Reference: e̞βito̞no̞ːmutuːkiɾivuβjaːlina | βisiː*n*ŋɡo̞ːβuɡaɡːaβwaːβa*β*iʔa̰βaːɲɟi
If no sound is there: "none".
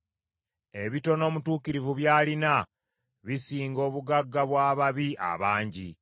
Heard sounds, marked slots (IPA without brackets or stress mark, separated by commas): none, β